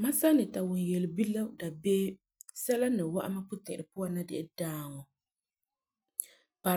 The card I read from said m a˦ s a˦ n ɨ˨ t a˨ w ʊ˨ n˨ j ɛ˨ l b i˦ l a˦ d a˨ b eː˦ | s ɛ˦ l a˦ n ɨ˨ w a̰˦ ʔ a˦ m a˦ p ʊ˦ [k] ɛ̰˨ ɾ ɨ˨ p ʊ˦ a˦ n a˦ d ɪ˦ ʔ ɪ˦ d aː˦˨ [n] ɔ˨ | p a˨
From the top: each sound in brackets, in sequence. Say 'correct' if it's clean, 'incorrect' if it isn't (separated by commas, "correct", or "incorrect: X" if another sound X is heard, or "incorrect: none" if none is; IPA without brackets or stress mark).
incorrect: t, incorrect: ŋ